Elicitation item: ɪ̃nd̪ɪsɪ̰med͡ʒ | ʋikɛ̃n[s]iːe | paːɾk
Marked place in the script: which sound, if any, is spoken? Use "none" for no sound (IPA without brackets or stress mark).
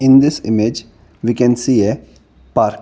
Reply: s